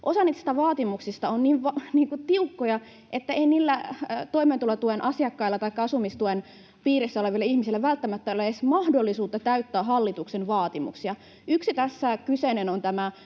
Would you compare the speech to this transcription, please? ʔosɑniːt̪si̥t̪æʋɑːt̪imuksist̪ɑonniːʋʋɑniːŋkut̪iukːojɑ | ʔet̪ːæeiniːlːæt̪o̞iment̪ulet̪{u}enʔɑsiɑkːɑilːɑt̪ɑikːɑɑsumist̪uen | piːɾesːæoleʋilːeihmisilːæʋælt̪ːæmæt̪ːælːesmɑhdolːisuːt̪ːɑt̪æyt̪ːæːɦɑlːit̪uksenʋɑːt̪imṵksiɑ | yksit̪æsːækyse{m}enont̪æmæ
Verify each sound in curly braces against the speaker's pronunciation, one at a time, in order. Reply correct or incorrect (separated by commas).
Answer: correct, incorrect